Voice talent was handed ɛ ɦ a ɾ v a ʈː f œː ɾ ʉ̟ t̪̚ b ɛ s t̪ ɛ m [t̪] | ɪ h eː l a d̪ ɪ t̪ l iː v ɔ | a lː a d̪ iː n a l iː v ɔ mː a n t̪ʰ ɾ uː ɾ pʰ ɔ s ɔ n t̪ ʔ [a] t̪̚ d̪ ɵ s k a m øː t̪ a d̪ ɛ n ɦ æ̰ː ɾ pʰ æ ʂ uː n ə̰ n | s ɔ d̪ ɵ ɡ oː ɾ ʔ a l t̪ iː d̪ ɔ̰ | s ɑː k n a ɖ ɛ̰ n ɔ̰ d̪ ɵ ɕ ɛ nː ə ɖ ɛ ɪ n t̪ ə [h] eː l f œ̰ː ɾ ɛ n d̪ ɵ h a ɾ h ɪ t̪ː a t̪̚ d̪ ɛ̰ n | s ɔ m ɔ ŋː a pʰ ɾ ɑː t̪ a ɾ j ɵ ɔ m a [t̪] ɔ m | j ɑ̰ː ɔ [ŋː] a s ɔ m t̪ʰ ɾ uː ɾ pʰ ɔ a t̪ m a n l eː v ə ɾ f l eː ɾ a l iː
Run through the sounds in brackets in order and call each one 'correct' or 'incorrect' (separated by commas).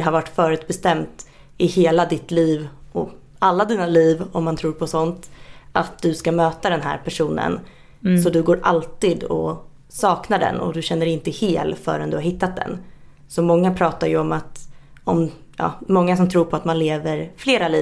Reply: correct, correct, correct, correct, correct